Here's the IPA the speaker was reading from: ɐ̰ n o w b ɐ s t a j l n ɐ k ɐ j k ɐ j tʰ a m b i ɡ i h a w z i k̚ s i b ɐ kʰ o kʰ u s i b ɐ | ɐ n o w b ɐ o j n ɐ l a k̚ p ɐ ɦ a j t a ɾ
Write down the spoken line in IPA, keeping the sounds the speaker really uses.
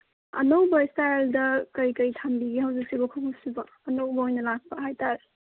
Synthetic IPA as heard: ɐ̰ n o w b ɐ s t a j l d ɐ k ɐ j k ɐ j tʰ a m b i ɡ i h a w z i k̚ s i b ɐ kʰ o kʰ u s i b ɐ | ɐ n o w b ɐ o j n ɐ l a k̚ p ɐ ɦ a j t a ɾ